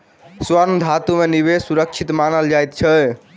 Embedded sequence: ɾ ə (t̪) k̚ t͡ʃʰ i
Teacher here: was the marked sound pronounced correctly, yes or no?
no